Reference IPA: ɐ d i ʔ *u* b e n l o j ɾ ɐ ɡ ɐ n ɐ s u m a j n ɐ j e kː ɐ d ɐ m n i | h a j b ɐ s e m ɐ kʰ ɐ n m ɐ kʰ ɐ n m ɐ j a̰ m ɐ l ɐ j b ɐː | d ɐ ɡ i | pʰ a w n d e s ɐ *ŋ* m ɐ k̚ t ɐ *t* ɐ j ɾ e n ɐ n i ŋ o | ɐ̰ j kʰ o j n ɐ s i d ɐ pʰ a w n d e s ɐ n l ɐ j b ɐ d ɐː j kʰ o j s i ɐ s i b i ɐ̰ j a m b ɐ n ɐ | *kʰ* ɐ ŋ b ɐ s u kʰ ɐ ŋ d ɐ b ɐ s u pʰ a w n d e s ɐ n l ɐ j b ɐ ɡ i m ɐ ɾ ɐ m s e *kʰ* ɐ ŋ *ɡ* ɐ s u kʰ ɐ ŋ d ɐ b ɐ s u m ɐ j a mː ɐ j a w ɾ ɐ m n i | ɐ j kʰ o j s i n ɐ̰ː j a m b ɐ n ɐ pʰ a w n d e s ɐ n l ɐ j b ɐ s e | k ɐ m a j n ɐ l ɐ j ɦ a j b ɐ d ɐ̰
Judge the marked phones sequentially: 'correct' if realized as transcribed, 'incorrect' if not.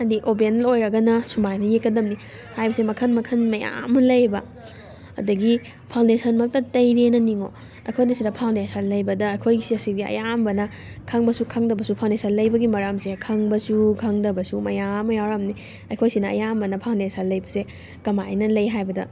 incorrect: o, incorrect: n, correct, correct, correct, incorrect: b

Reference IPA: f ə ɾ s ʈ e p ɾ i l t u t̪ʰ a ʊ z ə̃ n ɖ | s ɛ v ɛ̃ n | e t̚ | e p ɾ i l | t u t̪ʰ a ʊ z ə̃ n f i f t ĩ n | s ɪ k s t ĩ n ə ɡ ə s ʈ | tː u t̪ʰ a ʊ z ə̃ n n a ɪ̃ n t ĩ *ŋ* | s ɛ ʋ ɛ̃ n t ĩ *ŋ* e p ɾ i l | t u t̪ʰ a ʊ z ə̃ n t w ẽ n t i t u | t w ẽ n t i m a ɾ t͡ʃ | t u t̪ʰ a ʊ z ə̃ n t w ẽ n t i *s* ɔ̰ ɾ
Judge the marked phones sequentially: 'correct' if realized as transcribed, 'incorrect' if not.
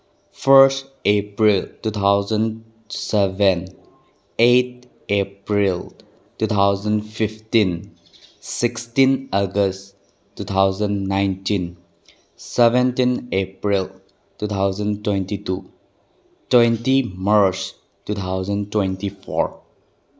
incorrect: n, incorrect: n, incorrect: f

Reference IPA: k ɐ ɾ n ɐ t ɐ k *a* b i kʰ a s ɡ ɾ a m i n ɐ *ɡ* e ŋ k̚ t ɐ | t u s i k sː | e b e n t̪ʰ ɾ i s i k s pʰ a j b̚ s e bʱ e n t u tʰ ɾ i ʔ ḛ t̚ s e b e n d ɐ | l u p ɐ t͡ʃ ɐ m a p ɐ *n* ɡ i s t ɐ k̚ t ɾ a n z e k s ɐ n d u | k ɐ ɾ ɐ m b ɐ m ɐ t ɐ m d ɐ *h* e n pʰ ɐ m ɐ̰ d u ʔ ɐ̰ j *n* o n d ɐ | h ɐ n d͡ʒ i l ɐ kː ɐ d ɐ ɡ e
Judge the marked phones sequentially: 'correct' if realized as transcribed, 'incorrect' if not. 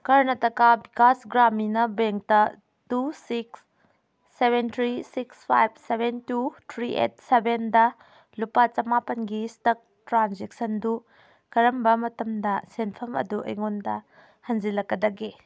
correct, incorrect: b, correct, incorrect: s, incorrect: ŋ

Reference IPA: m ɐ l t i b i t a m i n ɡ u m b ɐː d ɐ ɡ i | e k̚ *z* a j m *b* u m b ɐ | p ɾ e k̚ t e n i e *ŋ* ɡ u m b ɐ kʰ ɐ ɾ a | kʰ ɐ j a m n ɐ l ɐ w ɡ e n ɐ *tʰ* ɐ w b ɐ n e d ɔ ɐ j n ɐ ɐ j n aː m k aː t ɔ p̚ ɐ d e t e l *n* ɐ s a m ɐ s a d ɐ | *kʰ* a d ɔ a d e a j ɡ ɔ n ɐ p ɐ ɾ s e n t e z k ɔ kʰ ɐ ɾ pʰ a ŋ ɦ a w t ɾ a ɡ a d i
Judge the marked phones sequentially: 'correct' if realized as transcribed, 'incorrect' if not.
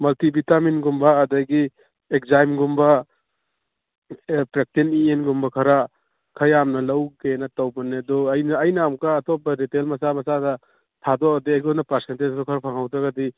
correct, incorrect: ɡ, incorrect: n, incorrect: t, incorrect: m, incorrect: tʰ

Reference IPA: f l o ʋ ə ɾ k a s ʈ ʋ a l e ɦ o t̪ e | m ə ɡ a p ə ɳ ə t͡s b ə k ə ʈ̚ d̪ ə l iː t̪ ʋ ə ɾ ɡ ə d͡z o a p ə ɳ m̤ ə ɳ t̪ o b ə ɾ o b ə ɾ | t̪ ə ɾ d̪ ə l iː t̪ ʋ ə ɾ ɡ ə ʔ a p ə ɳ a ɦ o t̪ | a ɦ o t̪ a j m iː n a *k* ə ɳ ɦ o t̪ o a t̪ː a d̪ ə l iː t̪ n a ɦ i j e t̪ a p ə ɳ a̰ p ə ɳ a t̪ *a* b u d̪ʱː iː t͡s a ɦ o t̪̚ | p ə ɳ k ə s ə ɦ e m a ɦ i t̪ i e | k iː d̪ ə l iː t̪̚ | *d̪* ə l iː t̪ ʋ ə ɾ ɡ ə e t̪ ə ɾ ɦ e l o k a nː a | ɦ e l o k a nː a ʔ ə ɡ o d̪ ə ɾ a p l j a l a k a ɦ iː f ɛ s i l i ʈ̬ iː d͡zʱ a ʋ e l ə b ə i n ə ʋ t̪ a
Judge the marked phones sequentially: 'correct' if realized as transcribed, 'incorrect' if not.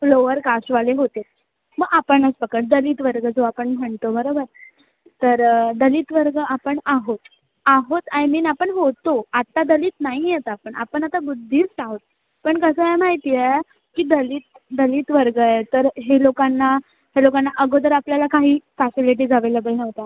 incorrect: p, correct, correct

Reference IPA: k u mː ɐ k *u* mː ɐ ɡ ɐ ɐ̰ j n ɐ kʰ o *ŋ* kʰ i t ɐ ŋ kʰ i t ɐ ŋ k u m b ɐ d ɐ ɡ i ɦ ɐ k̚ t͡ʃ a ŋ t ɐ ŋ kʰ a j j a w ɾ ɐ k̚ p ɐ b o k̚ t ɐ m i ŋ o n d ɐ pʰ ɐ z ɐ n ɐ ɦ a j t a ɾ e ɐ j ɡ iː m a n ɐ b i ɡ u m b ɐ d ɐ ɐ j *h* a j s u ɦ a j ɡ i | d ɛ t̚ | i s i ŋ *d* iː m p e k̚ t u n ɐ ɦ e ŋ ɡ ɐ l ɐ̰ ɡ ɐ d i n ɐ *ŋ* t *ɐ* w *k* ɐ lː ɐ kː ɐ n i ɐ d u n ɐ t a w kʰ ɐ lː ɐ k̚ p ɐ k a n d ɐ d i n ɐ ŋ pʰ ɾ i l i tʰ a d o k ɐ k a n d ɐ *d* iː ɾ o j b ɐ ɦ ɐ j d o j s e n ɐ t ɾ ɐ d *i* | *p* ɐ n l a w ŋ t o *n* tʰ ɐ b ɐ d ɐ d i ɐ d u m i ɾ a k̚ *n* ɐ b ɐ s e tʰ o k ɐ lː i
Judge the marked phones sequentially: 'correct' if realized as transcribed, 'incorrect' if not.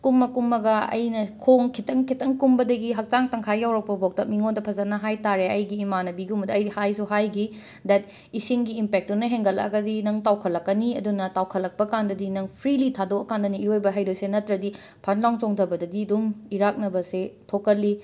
correct, correct, correct, incorrect: ɡ, correct, incorrect: a, incorrect: kʰ, incorrect: n, correct, incorrect: pʰ, incorrect: ŋ, correct

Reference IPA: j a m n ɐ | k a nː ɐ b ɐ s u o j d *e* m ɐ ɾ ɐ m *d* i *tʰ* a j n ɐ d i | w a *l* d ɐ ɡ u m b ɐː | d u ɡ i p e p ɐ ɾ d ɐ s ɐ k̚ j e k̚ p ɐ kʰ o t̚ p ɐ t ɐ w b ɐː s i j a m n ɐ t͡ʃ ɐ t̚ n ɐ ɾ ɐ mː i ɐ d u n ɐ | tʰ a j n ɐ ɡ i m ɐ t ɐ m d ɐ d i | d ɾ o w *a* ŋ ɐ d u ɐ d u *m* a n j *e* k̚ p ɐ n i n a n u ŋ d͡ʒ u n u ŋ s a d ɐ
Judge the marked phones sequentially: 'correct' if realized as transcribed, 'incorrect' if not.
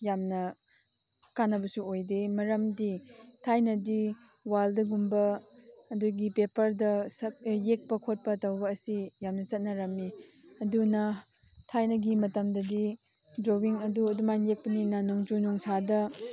correct, correct, correct, correct, incorrect: i, correct, correct

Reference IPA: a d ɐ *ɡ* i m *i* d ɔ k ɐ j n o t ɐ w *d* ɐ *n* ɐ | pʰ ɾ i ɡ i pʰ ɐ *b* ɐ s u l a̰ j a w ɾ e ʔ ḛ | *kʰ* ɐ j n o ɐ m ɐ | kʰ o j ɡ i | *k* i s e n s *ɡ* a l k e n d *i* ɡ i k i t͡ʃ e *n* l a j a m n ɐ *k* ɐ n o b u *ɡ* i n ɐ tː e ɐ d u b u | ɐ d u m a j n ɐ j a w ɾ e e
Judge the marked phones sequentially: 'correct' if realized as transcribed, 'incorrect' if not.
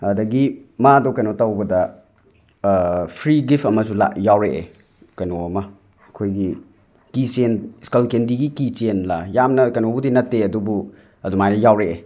correct, incorrect: a, incorrect: b, incorrect: d, incorrect: m, incorrect: k, correct, incorrect: k, correct, correct, correct, incorrect: d

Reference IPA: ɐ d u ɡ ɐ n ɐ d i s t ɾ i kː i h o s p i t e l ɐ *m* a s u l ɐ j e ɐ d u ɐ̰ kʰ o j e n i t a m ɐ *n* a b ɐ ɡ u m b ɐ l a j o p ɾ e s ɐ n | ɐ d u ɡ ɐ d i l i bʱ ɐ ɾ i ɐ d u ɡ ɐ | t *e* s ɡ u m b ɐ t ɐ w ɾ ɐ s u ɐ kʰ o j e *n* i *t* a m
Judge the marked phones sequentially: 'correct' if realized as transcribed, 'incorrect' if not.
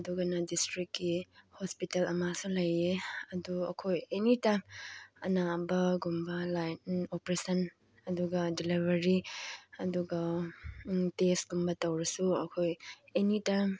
correct, correct, correct, correct, correct

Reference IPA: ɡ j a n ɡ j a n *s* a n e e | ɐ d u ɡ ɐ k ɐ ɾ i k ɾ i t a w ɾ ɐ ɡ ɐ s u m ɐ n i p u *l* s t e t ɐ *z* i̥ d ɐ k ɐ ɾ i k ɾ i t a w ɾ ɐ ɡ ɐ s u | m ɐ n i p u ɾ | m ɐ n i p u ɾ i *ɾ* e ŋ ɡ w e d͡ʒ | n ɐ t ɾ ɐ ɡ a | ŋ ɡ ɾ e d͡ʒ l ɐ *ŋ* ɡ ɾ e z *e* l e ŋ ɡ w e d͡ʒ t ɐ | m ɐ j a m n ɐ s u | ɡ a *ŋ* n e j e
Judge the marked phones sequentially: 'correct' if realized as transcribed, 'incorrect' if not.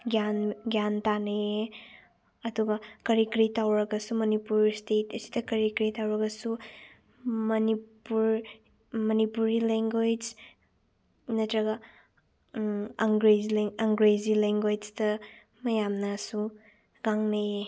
incorrect: t, incorrect: ɾ, incorrect: s, incorrect: l, correct, incorrect: i, correct

